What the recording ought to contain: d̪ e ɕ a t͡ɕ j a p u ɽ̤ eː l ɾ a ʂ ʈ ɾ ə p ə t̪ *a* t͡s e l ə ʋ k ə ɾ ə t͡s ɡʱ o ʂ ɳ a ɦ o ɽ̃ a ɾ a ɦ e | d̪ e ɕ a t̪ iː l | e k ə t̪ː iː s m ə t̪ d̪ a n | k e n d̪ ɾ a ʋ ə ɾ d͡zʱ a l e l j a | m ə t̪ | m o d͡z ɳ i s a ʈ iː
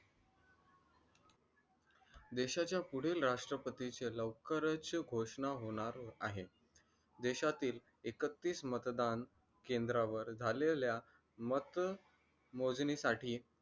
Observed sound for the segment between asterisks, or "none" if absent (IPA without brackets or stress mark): i